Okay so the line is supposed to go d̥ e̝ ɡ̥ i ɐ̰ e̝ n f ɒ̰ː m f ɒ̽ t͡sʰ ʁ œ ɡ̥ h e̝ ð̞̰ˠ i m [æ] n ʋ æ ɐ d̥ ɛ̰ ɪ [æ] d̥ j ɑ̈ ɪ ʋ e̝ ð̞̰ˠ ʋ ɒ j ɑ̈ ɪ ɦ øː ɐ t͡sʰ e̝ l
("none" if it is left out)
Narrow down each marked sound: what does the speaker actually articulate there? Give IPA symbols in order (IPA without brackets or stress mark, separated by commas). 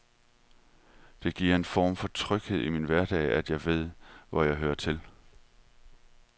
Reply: i, æ